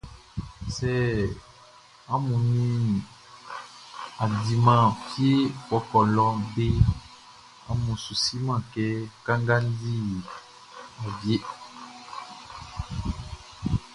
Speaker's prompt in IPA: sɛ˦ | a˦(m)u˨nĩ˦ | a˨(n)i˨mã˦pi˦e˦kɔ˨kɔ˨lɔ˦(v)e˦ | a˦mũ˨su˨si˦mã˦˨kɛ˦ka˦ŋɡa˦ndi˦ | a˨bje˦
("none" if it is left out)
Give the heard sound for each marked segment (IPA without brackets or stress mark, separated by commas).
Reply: m, d, b